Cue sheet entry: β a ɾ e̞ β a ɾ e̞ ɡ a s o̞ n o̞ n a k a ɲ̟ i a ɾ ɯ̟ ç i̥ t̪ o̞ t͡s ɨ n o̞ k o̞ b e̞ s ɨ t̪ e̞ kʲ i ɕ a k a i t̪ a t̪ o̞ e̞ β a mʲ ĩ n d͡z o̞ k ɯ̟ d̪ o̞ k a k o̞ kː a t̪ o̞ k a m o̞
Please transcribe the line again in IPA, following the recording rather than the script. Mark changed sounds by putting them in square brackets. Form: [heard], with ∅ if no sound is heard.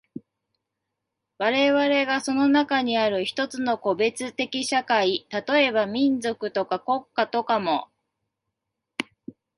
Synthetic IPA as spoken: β a ɾ e̞ β a ɾ e̞ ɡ a s o̞ n o̞ n a k a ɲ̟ i a ɾ ɯ̟ ç i̥ t̪ o̞ t͡s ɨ n o̞ k o̞ b e̞ [t͡s] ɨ t̪ e̞ kʲ i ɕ a k a i t̪ a t̪ o̞ e̞ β a mʲ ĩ n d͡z o̞ k ɯ̟ [t̪] o̞ k a k o̞ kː a t̪ o̞ k a m o̞